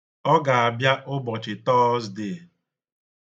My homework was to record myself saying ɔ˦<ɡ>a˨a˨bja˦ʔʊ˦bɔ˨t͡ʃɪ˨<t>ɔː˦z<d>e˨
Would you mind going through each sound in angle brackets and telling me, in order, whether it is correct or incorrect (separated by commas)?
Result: correct, correct, correct